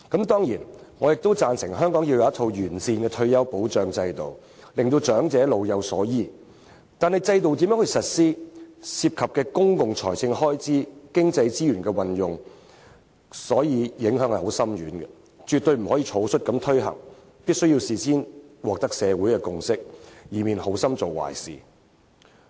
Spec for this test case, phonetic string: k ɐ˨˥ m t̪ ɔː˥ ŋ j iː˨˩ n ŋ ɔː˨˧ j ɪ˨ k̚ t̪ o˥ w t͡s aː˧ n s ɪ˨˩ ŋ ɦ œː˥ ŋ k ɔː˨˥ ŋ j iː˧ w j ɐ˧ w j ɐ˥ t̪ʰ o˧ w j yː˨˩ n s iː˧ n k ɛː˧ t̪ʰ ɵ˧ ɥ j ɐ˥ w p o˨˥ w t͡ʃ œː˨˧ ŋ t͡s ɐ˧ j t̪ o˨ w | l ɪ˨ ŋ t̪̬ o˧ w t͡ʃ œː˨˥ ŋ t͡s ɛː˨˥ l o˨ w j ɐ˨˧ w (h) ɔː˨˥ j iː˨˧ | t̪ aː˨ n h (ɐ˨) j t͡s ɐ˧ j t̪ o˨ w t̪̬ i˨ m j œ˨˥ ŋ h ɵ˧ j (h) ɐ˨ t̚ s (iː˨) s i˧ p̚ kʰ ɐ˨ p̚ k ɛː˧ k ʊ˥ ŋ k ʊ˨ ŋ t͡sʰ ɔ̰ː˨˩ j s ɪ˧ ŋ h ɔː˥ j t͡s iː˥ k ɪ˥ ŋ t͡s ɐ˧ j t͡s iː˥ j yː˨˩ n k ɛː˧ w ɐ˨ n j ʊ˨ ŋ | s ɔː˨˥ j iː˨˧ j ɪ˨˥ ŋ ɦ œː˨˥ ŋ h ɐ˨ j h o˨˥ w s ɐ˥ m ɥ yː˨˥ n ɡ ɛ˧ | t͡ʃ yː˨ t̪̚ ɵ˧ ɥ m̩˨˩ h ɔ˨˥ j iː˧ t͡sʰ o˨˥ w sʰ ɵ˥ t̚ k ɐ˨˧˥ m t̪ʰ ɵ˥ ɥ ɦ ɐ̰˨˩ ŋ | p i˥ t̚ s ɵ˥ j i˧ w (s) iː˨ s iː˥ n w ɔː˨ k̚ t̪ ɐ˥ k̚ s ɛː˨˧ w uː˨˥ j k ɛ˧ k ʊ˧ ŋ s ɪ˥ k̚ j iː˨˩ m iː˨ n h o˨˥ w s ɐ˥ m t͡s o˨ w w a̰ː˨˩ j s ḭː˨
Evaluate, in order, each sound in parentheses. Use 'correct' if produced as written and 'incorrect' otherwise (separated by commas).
incorrect, correct, incorrect, incorrect, correct